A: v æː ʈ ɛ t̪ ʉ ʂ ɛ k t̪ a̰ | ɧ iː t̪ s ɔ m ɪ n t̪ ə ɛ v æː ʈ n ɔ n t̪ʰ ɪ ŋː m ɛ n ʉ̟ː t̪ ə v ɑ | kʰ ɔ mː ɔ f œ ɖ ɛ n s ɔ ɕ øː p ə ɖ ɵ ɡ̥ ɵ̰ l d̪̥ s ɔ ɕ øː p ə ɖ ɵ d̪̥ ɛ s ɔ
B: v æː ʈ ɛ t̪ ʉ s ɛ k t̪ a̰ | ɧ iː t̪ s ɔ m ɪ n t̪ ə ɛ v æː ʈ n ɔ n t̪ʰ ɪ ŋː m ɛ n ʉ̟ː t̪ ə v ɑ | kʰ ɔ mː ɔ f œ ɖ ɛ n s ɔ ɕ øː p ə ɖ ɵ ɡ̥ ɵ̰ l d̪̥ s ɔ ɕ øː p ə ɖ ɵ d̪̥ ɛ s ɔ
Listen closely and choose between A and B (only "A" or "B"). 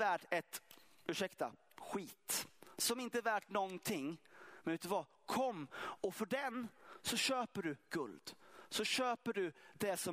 A